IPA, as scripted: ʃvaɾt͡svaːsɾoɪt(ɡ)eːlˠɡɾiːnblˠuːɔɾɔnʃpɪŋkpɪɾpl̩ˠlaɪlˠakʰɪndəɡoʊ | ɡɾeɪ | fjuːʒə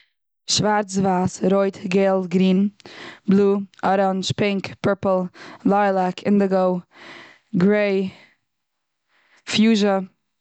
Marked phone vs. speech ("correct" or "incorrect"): correct